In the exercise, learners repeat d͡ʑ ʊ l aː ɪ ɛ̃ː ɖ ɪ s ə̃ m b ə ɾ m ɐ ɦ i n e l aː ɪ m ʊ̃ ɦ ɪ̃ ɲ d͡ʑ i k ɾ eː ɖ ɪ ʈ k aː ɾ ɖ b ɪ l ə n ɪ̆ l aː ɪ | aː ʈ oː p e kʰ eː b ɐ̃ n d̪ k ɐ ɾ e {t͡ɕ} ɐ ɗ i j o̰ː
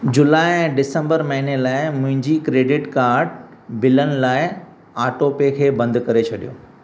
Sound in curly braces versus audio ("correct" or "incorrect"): incorrect